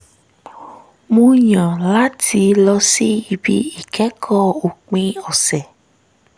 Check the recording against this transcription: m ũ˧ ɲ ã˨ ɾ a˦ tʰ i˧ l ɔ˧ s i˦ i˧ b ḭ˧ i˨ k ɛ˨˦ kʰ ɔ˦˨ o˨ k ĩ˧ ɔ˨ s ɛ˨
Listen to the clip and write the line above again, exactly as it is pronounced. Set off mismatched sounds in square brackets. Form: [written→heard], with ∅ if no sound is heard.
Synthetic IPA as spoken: m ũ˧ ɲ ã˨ [ɾ→l] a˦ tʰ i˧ l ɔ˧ s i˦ i˧ b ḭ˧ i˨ k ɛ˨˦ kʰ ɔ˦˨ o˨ [k→k͡p] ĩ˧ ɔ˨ s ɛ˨